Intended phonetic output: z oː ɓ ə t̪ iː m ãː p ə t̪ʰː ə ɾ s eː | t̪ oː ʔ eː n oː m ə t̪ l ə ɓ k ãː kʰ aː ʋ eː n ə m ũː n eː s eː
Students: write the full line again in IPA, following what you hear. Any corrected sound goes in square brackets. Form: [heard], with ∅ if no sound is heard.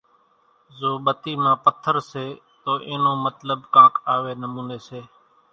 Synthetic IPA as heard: z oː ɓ ə t̪ iː m ãː p ə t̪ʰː ə ɾ s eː | t̪ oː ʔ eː n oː m ə t̪ l ə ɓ k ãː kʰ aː ʋ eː n ə m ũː n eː s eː